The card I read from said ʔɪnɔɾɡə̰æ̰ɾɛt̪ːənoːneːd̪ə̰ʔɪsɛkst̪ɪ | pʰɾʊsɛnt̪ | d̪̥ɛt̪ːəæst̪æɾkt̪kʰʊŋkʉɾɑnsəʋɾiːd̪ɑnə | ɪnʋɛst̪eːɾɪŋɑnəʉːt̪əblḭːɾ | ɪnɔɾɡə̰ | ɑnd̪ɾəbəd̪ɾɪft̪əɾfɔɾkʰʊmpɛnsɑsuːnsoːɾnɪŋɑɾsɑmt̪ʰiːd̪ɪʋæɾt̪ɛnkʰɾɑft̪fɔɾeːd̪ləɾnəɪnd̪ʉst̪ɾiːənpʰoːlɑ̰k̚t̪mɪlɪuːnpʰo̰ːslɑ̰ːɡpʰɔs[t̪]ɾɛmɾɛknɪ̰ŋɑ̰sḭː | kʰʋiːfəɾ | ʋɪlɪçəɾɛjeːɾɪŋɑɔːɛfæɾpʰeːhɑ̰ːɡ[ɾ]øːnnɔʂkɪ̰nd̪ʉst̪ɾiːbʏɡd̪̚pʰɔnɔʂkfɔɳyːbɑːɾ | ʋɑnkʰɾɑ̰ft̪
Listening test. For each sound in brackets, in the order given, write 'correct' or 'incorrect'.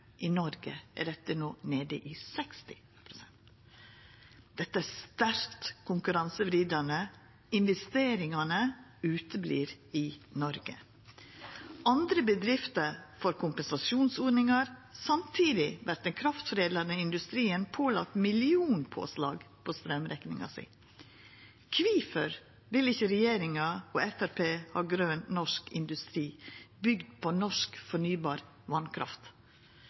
correct, correct

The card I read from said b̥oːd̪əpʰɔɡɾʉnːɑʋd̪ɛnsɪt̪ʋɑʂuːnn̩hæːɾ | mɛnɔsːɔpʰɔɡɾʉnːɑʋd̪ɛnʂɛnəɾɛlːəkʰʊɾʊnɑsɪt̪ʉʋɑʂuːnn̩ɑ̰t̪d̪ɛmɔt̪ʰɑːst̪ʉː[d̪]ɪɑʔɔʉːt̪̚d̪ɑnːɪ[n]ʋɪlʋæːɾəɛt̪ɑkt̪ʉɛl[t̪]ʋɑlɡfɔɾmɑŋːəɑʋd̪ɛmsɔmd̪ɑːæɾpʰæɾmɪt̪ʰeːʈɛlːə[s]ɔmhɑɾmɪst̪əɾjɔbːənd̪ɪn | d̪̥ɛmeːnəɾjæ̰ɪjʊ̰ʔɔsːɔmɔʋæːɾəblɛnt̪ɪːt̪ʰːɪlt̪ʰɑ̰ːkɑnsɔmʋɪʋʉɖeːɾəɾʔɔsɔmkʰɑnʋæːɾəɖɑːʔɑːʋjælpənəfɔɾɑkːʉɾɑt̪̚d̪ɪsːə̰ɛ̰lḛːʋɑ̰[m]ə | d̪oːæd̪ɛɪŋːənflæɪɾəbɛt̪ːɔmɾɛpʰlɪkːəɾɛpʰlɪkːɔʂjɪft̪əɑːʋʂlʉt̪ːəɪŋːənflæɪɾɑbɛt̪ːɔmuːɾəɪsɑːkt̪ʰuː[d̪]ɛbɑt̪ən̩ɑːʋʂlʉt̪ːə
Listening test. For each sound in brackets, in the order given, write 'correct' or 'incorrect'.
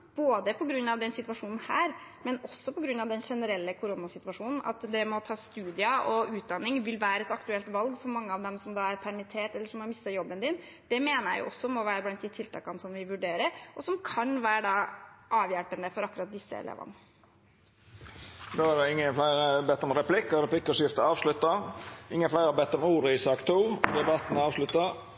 correct, incorrect: ŋ, correct, incorrect: ʂ, incorrect: n, correct

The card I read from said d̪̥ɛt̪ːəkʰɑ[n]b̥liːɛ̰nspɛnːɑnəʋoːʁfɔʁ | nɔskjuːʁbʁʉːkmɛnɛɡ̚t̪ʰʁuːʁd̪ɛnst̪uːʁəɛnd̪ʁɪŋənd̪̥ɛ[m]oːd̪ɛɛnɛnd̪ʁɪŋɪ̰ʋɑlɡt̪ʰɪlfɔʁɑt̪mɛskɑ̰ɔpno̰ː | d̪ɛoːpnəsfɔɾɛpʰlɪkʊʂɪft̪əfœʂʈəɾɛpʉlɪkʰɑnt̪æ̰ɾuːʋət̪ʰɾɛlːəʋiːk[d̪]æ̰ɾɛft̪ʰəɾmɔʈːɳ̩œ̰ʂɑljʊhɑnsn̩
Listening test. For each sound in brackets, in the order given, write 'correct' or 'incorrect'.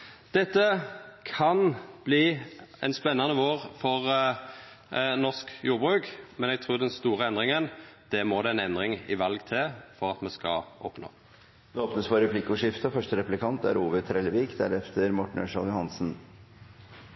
correct, correct, correct

